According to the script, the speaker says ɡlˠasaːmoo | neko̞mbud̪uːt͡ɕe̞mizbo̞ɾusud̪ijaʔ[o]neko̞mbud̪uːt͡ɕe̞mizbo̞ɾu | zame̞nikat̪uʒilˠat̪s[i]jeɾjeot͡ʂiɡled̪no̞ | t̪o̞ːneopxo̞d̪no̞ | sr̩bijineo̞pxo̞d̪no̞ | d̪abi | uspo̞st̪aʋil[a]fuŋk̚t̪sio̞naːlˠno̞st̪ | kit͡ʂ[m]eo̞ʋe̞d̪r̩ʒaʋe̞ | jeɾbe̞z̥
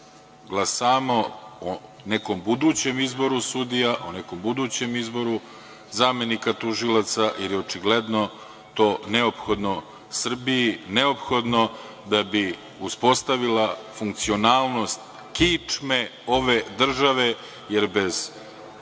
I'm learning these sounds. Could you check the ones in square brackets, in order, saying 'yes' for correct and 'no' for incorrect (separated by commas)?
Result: yes, no, yes, yes